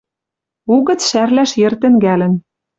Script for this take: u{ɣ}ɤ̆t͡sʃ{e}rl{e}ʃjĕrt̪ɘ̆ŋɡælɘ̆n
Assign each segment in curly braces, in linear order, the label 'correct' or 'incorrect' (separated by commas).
correct, incorrect, incorrect